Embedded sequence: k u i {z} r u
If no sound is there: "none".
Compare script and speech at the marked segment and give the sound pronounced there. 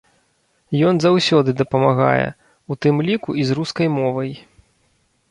z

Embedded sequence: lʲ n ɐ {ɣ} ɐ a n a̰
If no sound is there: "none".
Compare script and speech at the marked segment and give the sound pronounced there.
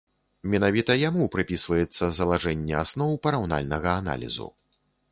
ɣ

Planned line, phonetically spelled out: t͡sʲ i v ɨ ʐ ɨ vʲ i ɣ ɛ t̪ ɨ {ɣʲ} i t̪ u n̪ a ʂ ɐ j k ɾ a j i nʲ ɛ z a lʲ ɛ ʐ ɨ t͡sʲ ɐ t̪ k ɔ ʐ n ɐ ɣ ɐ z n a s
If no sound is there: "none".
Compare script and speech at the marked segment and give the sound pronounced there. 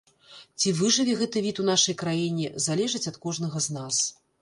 vʲ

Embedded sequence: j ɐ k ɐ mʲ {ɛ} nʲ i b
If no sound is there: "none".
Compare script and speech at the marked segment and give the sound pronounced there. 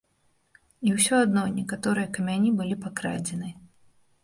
a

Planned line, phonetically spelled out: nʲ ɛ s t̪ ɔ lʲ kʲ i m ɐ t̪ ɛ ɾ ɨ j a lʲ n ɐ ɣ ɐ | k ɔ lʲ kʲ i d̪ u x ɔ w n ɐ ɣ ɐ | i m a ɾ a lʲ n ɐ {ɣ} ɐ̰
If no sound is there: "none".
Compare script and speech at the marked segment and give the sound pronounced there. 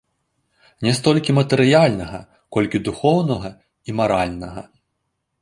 ɣ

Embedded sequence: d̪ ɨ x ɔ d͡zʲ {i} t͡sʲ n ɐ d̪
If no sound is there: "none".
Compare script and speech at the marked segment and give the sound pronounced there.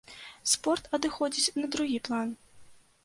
i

